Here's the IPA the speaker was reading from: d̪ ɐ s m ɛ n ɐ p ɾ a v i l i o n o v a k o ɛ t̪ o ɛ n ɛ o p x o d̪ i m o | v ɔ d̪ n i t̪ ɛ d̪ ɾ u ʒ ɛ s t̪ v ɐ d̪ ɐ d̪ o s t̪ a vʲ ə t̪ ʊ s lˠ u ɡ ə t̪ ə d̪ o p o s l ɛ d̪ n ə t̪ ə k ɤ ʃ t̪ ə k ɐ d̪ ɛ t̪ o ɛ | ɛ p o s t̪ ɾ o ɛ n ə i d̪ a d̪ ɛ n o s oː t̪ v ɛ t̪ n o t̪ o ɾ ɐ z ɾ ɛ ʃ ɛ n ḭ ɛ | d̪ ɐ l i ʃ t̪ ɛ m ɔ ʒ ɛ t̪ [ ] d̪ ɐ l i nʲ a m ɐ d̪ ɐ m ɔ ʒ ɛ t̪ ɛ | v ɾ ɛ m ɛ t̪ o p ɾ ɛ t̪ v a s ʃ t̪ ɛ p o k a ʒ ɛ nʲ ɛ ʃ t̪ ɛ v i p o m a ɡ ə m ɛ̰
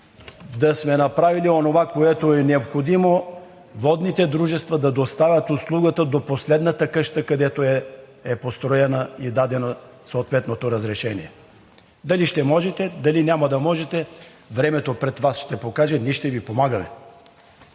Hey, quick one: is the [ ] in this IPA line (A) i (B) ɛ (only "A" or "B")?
B